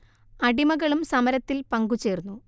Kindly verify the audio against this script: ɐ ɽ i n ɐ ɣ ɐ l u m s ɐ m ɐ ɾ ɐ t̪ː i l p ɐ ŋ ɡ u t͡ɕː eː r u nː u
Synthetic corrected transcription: ɐ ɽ i m ɐ ɣ ɐ ɭ u m s ɐ m ɐ ɾ ɐ t̪ː i l p ɐ ŋ ɡ u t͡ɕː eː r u nː u